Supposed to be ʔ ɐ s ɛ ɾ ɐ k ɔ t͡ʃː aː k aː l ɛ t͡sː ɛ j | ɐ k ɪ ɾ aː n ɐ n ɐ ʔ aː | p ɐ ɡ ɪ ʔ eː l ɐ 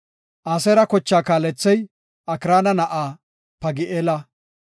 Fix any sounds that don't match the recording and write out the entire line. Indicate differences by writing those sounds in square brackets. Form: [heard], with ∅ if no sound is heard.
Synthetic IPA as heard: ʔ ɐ s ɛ ɾ ɐ k ɔ t͡ʃː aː k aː l ɛ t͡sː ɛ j | ɐ k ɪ ɾ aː n ɐ n ɐ ʔ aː | p ɐ ɡ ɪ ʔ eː l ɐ